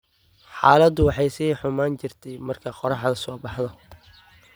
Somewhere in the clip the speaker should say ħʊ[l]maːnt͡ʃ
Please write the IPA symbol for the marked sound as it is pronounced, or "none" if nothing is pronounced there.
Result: none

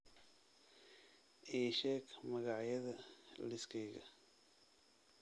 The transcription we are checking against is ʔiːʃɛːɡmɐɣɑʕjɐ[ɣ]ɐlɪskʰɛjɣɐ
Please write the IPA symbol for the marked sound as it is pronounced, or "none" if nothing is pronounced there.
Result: ð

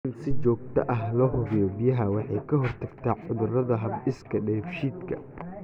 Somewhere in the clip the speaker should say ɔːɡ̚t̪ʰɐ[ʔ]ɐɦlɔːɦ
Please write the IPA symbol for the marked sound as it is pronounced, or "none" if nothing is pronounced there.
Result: ʔ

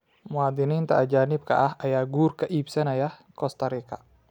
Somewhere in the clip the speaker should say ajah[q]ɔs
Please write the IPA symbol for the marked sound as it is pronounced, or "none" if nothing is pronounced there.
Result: k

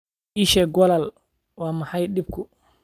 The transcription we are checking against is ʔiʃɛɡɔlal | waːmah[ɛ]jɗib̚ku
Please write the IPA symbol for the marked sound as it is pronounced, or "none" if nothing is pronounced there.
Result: a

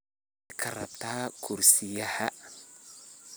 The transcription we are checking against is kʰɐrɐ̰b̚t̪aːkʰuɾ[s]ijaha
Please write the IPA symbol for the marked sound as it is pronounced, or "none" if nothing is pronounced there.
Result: s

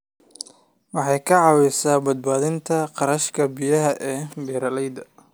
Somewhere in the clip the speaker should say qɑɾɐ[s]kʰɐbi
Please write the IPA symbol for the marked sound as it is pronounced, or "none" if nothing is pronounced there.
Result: ʃ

